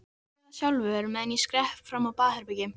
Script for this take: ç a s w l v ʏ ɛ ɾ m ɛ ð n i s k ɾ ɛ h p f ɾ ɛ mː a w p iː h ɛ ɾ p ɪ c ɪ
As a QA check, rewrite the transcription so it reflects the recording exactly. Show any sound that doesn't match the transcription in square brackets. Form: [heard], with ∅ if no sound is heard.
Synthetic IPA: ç a [∅] w l v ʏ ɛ ɾ m ɛ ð n i s k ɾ ɛ h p f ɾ [a] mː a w p [aː] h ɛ ɾ p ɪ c ɪ